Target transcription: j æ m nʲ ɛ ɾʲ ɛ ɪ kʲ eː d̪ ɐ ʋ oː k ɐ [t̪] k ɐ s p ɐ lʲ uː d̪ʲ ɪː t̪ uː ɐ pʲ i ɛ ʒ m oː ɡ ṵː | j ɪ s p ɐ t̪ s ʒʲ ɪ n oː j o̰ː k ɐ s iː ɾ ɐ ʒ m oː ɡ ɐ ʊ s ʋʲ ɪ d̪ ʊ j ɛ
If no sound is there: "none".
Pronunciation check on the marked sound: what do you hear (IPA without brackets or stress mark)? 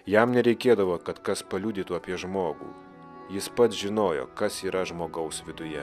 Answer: t̪